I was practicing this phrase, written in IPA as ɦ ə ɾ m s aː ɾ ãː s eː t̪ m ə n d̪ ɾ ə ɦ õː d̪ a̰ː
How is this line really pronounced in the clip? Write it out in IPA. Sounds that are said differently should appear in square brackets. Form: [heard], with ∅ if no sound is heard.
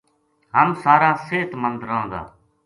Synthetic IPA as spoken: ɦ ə [∅] m s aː ɾ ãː s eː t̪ m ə n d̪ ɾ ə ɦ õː d̪ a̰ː